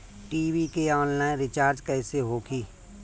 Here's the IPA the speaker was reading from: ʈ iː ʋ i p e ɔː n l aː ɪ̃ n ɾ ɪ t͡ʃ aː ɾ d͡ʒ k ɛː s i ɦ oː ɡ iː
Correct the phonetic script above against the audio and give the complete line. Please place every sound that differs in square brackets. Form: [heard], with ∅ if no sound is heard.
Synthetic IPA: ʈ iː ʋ i [k] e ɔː n l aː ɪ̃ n ɾ ɪ t͡ʃ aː ɾ d͡ʒ k ɛː s [e] ɦ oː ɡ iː